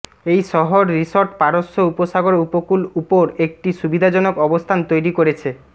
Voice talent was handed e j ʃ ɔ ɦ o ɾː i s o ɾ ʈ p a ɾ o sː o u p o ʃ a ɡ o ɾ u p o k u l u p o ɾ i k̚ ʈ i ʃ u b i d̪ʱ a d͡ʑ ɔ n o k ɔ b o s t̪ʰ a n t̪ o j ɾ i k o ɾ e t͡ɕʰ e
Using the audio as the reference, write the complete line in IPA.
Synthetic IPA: e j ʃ ɔ ɦ o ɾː i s o ɾ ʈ p a ɾ o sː o u p o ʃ a ɡ o ɾ u p o k u l u p o ɾ e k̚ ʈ i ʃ u b i d̪ʱ a d͡ʑ ɔ n o k ɔ b o s t̪ʰ a n t̪ o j ɾ i k o ɾ e t͡ɕʰ e